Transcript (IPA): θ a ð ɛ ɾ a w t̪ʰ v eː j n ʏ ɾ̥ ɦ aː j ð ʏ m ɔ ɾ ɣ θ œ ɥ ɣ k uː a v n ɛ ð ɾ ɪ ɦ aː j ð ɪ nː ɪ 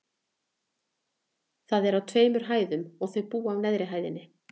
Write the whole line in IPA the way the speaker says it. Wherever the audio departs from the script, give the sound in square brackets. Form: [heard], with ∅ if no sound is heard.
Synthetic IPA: θ a ð ɛ ɾ a w t̪ʰ v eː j [m] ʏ ɾ̥ ɦ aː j ð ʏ m ɔ [∅] ɣ θ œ ɥ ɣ [p] uː a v n ɛ ð ɾ ɪ ɦ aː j ð ɪ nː ɪ

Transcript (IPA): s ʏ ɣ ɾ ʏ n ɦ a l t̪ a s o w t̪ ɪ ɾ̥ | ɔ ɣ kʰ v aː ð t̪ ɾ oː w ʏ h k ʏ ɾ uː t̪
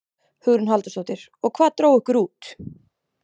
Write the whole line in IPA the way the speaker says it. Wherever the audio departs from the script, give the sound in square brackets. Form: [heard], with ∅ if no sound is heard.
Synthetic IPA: [h] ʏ ɣ ɾ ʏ n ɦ a l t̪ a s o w t̪ ɪ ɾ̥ | ɔ ɣ kʰ v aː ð t̪ ɾ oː w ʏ h k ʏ ɾ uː t̪

